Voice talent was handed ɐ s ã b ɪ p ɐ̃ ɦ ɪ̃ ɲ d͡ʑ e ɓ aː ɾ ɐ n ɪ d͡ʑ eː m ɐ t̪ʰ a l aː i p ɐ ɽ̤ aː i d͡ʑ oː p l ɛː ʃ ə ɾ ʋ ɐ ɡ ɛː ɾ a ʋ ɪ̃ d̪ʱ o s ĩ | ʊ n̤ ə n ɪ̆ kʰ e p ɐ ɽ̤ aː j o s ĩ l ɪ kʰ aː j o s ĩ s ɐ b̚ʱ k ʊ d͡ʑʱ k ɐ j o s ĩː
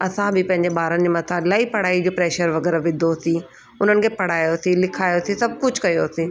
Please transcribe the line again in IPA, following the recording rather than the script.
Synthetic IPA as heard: ɐ s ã b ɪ p ɐ̃ ɦ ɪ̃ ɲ d͡ʑ e ɓ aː ɾ ə n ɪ d͡ʑ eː m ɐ t̪ʰ a l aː i p ɐ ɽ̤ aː i d͡ʑ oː p ɾ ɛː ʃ ə ɾ ʋ ɐ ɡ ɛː ɾ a ʋ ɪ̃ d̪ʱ o s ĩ | ʊ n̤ ə n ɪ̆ kʰ e p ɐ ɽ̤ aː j o s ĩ l ɪ kʰ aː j o s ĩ s ɐ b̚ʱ k ʊ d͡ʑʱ k ɐ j o s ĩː